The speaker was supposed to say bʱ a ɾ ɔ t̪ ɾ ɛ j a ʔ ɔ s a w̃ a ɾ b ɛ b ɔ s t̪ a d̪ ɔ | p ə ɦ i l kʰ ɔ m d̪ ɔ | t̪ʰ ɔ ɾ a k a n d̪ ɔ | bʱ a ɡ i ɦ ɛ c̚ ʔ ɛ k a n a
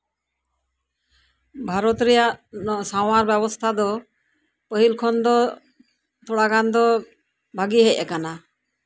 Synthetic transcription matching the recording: bʱ a ɾ ɔ t̪ ɾ ɛ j a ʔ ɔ s a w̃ a ɾ b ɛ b ɔ s t̪ʰ a d̪ ɔ | p ə ɦ i l kʰ ɔ n d̪ ɔ | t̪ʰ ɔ ɽ a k a n d̪ ɔ | bʱ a ɡ i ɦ ɛ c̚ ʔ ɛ k a n a